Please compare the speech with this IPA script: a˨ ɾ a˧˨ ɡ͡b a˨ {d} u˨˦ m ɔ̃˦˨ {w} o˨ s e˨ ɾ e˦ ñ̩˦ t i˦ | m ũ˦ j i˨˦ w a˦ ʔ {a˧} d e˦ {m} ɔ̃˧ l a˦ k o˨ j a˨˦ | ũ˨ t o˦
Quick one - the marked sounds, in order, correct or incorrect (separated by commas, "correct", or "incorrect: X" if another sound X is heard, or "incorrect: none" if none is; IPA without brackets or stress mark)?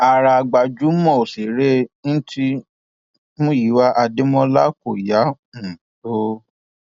incorrect: d͡ʒ, incorrect: none, correct, correct